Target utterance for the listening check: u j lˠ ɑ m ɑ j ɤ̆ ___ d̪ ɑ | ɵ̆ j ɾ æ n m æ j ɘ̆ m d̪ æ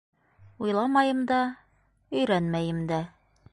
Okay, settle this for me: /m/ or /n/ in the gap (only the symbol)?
m